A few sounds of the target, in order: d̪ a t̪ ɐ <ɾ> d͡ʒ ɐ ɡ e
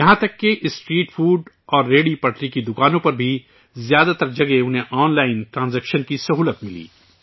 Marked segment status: correct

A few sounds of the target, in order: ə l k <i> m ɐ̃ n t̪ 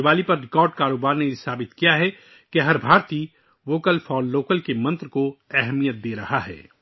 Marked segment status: incorrect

